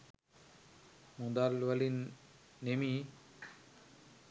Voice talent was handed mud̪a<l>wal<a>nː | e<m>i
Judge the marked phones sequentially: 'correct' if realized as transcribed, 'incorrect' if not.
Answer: correct, incorrect, correct

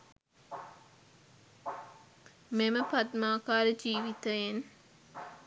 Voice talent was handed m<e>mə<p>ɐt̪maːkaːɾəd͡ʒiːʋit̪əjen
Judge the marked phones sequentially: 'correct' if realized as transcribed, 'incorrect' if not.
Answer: correct, correct

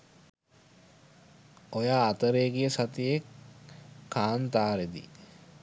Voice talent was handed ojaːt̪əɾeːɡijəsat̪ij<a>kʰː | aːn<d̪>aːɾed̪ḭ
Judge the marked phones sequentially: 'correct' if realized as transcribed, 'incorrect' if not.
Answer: incorrect, incorrect

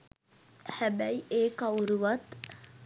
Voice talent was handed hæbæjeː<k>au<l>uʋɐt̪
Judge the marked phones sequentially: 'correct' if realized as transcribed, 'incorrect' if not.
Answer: correct, incorrect

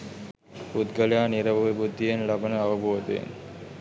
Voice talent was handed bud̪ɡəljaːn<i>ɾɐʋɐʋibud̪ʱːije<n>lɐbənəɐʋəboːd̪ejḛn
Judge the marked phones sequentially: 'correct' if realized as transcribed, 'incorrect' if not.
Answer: correct, correct

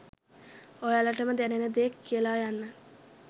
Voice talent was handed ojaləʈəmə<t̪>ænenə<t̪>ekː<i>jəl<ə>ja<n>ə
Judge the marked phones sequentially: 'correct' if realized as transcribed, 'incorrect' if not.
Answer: incorrect, incorrect, correct, incorrect, incorrect

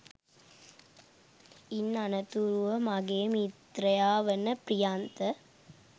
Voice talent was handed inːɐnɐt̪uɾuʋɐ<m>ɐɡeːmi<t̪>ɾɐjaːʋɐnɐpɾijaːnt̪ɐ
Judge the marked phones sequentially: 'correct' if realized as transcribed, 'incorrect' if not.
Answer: correct, correct

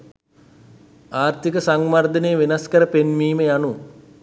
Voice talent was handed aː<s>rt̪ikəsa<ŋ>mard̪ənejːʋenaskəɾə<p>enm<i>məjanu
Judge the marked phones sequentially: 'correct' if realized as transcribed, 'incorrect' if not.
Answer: incorrect, correct, correct, incorrect

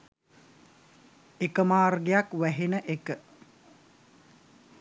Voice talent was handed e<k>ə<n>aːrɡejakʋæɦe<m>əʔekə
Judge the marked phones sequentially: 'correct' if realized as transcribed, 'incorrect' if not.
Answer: correct, incorrect, incorrect

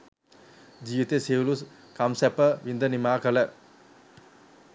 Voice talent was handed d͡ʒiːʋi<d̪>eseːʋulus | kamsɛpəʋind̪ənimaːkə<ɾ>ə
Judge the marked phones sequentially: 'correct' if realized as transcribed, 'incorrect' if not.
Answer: incorrect, incorrect

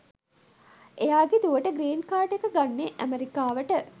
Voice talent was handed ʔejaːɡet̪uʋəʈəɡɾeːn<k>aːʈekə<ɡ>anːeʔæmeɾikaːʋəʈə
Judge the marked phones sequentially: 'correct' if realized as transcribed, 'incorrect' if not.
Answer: correct, correct

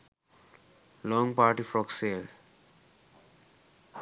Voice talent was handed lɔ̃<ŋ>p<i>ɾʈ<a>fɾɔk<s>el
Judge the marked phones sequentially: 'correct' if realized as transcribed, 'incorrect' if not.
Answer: correct, incorrect, incorrect, correct

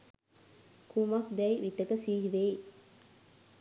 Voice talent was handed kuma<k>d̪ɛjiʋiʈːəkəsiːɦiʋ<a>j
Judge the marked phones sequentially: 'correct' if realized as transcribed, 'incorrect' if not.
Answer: correct, incorrect

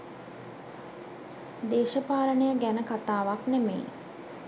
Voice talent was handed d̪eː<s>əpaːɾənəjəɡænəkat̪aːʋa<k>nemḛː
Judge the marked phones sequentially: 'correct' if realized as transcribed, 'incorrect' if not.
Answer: incorrect, correct

